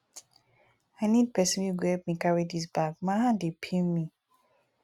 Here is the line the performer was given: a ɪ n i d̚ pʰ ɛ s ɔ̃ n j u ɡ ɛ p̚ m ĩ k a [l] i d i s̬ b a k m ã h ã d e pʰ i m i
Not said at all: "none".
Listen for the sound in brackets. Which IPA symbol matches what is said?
ɹ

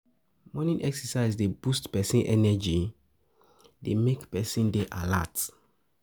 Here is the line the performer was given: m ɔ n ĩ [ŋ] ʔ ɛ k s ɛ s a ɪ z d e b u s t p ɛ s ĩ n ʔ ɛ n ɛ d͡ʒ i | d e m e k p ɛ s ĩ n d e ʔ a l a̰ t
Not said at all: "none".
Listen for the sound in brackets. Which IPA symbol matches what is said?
n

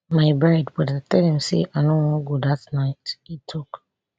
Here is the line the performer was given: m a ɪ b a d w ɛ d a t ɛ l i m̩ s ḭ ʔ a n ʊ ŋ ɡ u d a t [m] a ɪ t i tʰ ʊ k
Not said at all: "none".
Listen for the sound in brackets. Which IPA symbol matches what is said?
n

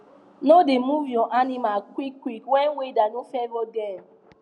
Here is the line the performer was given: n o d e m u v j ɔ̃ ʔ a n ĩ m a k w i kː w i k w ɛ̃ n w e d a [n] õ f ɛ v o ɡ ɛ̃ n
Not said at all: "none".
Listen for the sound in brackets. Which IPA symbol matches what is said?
n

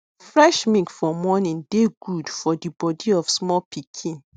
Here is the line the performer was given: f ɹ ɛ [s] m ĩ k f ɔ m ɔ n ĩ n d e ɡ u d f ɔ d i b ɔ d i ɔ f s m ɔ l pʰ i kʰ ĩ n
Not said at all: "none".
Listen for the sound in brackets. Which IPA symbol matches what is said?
ʃ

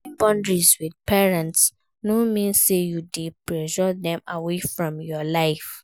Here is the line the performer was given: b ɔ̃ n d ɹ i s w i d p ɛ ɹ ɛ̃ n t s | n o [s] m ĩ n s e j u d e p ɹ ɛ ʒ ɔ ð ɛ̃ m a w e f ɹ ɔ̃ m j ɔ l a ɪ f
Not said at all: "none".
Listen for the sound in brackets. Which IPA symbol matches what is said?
none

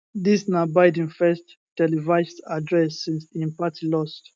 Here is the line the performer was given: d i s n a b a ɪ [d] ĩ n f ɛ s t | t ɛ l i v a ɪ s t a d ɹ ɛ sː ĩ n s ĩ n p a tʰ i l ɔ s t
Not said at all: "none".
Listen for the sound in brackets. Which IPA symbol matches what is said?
d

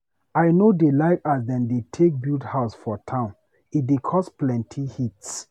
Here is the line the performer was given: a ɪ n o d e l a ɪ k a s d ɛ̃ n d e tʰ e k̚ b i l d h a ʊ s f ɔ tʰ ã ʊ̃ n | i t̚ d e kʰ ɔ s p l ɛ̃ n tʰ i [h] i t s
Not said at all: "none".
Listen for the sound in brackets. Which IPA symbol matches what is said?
h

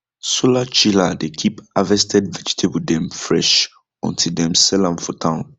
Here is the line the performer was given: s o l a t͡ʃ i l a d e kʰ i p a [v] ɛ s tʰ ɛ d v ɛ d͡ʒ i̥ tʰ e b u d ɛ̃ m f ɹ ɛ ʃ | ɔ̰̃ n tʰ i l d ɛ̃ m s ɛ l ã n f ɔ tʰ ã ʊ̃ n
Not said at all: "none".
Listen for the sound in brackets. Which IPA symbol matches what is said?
v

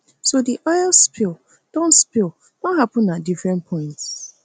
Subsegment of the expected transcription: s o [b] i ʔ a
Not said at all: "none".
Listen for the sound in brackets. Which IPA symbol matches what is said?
d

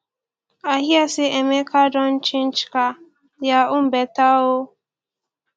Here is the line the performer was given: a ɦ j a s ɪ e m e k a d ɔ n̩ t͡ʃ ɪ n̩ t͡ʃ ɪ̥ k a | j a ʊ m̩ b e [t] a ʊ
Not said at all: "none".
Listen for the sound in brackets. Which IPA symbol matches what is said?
t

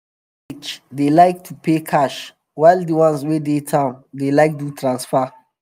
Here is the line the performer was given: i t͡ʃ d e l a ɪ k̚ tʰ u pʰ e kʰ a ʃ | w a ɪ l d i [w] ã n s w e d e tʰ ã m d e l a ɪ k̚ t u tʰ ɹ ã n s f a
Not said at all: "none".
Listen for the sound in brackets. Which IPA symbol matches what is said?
w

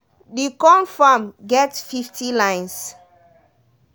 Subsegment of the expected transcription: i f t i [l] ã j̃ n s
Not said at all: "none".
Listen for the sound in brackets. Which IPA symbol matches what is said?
l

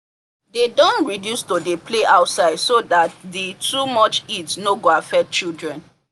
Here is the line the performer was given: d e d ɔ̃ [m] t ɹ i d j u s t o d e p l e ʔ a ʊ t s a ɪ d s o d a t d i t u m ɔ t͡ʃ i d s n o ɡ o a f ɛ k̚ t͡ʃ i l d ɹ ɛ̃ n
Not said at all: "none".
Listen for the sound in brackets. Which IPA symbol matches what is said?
n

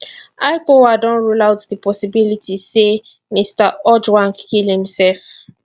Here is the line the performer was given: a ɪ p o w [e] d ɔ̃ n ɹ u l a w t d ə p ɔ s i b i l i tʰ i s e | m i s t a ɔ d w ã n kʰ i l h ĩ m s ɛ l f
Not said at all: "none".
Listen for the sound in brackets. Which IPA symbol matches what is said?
a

